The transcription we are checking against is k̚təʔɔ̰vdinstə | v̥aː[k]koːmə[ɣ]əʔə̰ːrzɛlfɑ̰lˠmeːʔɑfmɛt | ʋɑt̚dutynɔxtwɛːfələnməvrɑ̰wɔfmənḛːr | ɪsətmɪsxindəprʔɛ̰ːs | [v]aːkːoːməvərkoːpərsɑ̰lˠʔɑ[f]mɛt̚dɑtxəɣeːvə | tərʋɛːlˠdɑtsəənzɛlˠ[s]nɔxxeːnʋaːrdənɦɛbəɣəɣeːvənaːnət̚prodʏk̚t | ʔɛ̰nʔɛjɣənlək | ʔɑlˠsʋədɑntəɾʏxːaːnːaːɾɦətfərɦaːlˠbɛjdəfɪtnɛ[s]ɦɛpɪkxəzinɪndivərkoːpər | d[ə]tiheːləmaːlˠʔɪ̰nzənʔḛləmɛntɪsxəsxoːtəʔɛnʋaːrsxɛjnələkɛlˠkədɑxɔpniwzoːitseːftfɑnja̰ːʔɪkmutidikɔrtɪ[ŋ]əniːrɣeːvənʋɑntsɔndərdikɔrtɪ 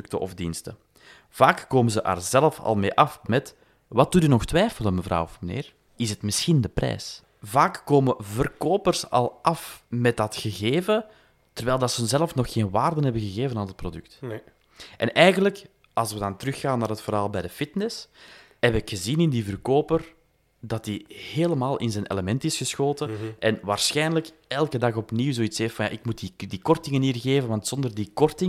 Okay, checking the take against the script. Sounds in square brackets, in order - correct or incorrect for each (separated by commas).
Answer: correct, incorrect, correct, correct, incorrect, correct, incorrect, correct